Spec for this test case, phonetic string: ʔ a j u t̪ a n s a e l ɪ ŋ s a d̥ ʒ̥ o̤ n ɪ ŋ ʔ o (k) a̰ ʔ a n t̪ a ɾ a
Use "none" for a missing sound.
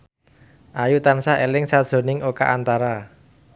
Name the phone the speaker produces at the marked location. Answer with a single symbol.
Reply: k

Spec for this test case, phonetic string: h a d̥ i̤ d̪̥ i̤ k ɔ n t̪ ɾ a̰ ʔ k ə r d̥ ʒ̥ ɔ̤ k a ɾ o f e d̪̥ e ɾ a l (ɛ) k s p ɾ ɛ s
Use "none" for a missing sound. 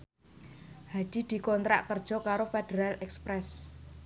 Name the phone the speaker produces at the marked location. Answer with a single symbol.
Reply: ɛ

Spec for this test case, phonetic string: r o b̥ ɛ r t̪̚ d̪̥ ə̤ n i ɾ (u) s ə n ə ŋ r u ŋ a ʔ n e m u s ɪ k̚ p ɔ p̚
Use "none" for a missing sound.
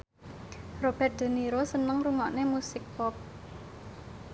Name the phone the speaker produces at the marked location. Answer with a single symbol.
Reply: o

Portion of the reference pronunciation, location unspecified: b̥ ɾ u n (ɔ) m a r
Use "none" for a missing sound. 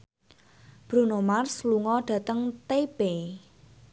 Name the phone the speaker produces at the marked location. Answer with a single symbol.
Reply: o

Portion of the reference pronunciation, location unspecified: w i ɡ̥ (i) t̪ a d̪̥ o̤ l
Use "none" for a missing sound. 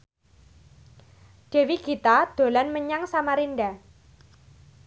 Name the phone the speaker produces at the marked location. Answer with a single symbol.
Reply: i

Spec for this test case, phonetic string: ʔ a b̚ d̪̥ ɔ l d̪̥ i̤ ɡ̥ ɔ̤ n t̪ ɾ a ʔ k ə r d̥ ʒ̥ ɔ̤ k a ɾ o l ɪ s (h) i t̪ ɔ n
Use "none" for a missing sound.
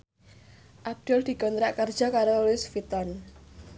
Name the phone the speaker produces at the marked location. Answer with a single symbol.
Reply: f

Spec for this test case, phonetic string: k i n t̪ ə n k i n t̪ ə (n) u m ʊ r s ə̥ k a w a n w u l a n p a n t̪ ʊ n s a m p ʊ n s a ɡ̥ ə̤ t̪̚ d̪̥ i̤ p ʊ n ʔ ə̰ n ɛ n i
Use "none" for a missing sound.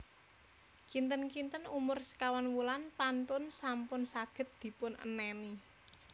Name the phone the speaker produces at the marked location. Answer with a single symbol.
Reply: n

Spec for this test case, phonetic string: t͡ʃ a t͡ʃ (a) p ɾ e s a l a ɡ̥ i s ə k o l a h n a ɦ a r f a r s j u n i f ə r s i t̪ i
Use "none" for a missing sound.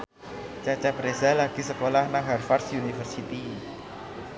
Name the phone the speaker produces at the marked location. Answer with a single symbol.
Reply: a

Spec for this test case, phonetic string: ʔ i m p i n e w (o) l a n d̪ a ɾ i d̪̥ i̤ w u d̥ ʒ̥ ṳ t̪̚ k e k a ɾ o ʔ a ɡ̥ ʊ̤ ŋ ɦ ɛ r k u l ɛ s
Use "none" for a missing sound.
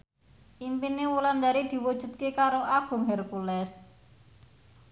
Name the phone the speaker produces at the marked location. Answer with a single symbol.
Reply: u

